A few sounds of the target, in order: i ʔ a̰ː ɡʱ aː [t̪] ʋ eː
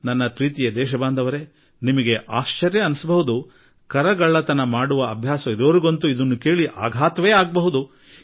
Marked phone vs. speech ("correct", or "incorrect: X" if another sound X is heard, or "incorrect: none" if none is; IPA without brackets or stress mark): correct